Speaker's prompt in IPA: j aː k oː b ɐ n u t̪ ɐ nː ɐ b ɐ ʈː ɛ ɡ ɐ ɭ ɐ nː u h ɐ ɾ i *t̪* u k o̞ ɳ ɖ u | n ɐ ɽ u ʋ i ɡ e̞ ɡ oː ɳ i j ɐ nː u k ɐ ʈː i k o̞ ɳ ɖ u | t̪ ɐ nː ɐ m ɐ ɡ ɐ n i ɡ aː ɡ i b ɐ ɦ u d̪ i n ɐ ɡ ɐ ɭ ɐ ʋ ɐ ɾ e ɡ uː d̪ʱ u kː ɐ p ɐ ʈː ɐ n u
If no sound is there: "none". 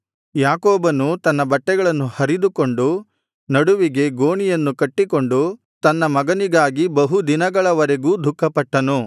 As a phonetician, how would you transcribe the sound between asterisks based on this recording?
d̪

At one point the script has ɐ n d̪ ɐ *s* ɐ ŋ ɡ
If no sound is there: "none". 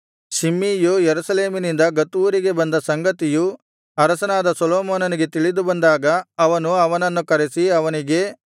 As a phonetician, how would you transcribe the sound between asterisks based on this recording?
s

